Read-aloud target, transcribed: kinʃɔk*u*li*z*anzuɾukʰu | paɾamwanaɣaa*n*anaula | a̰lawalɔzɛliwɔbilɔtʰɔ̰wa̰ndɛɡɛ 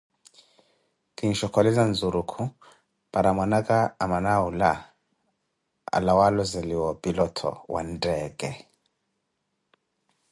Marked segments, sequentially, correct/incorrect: incorrect, correct, incorrect

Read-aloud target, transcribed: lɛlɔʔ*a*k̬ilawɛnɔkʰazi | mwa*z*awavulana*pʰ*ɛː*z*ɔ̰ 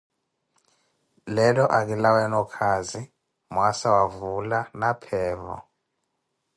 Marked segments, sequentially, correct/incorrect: correct, incorrect, correct, incorrect

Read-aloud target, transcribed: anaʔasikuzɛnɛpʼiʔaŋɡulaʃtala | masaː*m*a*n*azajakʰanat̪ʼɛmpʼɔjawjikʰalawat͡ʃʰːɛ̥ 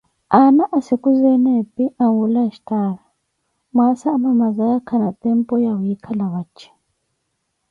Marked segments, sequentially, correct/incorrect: correct, incorrect

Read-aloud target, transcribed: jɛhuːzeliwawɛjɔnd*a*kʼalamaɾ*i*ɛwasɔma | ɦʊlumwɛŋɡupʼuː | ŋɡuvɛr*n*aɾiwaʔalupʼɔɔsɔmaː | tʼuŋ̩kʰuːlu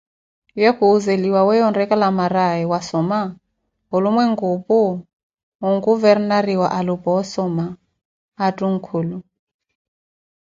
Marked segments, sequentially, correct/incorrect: incorrect, incorrect, correct

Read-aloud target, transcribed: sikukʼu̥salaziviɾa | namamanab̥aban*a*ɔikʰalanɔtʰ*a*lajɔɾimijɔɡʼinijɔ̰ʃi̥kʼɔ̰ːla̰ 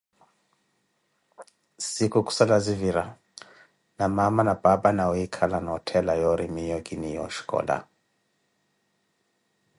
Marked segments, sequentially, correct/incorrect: correct, incorrect

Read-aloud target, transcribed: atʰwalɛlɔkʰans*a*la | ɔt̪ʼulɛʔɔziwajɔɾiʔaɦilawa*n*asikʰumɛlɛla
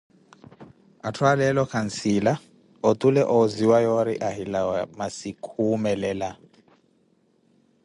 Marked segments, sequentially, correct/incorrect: incorrect, incorrect

